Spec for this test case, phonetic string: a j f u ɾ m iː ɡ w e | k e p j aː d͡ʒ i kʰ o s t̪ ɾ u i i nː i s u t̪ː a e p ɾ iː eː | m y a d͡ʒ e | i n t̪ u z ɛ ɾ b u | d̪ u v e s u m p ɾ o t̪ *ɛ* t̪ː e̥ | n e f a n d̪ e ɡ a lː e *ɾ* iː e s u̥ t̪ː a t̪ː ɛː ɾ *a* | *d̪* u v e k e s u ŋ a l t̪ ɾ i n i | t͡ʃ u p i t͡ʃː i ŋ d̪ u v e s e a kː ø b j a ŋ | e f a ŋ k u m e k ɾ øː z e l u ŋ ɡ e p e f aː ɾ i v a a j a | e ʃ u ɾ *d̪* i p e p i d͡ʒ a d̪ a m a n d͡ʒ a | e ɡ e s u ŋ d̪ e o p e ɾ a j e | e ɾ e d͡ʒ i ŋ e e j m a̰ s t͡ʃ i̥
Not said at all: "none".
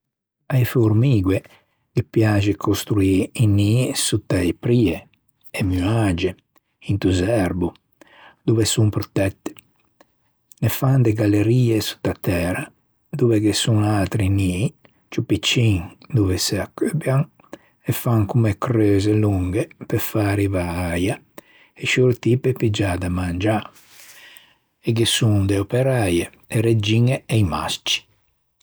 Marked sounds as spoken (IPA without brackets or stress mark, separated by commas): ɛ, ɾ, a, d̪, t̪